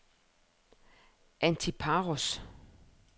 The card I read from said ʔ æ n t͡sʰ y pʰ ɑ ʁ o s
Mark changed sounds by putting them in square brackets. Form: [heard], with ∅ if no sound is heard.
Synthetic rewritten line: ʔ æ n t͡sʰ [i] pʰ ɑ ʁ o s